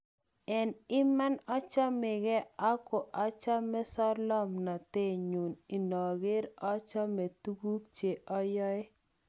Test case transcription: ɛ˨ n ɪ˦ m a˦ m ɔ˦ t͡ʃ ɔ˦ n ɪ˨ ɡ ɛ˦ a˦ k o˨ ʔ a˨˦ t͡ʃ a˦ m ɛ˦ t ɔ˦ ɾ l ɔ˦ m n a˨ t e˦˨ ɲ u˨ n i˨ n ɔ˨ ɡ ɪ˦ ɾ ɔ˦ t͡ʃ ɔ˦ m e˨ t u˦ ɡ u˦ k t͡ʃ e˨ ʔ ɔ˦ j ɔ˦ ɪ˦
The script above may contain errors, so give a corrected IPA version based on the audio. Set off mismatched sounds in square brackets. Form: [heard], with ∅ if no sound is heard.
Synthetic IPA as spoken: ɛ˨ n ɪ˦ m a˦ [n] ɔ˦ t͡ʃ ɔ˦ [m] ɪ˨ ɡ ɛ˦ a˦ k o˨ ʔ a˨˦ t͡ʃ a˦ m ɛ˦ [s] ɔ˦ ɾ l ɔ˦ m n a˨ t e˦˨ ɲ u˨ n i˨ n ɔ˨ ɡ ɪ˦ ɾ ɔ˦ t͡ʃ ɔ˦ m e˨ t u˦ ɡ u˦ k t͡ʃ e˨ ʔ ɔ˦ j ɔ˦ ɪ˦